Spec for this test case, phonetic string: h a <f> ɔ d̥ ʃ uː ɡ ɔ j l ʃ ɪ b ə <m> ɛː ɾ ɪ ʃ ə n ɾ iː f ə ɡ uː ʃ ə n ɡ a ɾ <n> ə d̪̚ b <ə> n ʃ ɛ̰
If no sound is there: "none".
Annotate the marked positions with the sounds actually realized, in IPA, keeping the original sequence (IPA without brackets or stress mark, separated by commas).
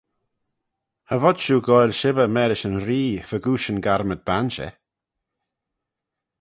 v, m, m, a